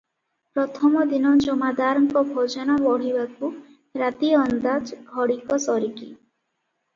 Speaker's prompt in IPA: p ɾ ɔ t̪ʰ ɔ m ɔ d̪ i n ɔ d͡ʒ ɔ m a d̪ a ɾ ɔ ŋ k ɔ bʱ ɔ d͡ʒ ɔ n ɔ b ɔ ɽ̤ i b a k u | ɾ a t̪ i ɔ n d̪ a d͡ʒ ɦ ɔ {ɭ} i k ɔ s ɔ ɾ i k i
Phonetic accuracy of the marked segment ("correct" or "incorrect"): incorrect